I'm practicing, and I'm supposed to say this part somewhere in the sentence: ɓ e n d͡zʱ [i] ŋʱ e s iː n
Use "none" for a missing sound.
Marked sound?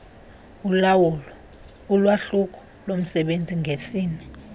i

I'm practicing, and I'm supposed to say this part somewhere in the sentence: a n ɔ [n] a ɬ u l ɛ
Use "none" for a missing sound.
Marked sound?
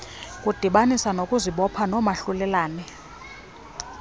m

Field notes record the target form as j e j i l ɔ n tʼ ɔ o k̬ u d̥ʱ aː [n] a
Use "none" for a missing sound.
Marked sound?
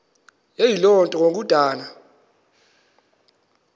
n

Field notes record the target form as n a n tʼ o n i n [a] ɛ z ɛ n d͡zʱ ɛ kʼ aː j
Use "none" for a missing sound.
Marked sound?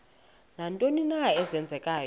a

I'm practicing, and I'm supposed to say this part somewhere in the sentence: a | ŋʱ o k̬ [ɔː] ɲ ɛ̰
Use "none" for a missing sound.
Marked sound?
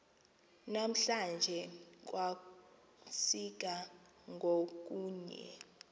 uː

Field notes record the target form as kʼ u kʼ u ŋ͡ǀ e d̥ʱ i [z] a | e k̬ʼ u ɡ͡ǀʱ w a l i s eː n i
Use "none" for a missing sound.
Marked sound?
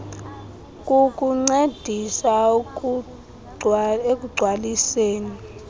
s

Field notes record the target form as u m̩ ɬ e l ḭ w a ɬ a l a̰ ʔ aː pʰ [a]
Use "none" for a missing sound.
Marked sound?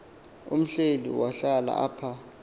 a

